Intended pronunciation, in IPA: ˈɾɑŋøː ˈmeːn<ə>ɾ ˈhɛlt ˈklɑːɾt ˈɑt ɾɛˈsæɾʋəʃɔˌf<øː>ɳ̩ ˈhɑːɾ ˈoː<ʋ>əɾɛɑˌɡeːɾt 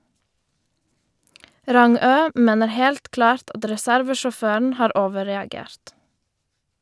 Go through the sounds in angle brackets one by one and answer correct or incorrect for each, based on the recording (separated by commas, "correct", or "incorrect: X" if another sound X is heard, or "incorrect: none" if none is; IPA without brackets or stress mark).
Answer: correct, correct, correct